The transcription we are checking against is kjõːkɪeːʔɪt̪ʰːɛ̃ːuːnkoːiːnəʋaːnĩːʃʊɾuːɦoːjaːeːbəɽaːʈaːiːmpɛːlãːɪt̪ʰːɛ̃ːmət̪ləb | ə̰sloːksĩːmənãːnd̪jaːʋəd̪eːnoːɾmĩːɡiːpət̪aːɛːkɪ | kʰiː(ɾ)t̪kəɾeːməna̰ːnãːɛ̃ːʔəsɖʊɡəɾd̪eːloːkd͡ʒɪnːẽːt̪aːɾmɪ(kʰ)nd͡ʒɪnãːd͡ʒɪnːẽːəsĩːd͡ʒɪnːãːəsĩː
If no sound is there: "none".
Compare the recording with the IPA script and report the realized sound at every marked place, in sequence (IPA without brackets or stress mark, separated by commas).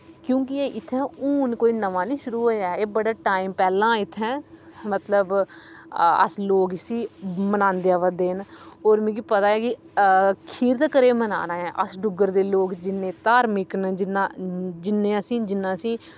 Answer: ɾ, k